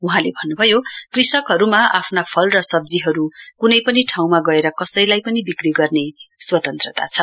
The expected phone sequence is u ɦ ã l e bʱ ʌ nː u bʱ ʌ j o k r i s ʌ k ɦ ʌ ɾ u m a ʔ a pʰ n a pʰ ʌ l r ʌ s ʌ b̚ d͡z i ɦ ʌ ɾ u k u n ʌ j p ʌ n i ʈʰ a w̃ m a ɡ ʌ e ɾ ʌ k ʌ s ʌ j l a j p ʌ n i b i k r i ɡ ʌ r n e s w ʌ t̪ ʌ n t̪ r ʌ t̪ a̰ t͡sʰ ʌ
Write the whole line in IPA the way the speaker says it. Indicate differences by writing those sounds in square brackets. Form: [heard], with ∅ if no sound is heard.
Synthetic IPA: u ɦ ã l e bʱ ʌ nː u bʱ ʌ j o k r i s ʌ k ɦ ʌ ɾ u m a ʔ a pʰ n a pʰ ʌ l r ʌ s ʌ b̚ d͡z i ɦ ʌ ɾ u k u n ʌ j p ʌ n i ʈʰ a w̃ m a ɡ ʌ e ɾ ʌ k ʌ s ʌ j l a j p ʌ n i b i k r i ɡ ʌ r n e s w ʌ t̪ ʌ n t̪ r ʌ t̪ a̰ t͡sʰ ʌ